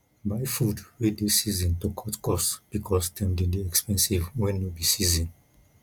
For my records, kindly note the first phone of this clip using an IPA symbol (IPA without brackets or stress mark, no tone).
b